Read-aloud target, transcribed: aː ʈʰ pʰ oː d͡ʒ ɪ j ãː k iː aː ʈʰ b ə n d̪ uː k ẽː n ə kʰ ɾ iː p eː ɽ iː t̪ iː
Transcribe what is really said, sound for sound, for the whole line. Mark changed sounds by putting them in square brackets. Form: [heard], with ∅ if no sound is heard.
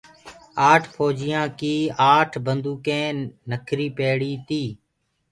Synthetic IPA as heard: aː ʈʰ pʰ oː d͡ʒ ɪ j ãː k iː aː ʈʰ b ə n d̪ uː k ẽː n ə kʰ ɾ iː p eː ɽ iː t̪ iː